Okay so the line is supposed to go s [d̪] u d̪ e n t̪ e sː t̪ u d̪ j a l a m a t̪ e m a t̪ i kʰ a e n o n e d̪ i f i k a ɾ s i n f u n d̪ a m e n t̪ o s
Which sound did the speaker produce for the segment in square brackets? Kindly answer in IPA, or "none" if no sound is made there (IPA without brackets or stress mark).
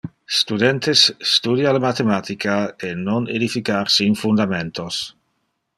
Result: t̪